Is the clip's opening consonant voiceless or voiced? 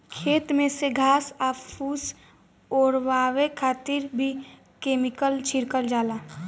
voiceless